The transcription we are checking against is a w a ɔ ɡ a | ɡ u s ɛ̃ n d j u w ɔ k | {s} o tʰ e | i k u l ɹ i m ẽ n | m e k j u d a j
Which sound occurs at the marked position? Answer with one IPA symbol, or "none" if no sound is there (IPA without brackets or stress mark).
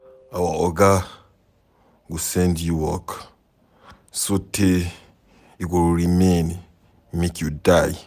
s